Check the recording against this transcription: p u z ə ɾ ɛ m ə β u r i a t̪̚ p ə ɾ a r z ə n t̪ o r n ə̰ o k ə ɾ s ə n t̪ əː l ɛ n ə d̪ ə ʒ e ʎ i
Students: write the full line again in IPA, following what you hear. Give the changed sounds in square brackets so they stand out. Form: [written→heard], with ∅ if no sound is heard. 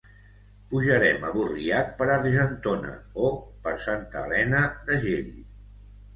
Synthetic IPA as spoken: p u [z→ʒ] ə ɾ ɛ m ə β u r i a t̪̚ p ə ɾ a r [z→ʒ] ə n t̪ o [r→∅] n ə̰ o [k→p] ə ɾ s [ə→a] n t̪ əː l ɛ n ə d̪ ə ʒ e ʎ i